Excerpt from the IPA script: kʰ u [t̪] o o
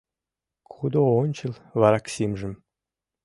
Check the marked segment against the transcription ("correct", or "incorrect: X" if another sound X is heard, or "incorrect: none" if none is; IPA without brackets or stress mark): incorrect: d̪